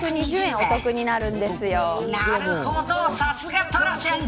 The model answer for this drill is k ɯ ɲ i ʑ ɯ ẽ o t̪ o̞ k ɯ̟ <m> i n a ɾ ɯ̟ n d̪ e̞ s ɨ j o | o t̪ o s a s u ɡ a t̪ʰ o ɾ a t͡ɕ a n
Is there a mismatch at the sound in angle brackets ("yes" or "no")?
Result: yes